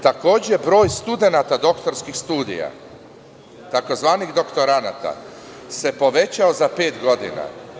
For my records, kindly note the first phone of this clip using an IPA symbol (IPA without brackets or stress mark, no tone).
t̪